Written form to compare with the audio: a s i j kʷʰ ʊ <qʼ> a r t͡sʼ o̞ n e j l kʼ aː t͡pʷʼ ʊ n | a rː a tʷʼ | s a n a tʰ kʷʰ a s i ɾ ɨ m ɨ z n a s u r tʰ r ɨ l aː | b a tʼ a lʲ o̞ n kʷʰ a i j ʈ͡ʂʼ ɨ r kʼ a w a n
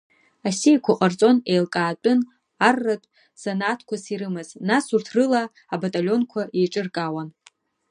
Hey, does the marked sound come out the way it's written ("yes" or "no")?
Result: yes